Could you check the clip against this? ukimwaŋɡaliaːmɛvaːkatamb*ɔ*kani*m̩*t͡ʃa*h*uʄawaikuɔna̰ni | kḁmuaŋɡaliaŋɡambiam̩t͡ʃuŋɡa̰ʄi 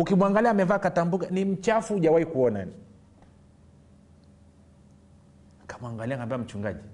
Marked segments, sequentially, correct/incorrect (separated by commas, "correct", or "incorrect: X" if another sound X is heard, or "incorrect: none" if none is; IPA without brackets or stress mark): incorrect: u, correct, incorrect: f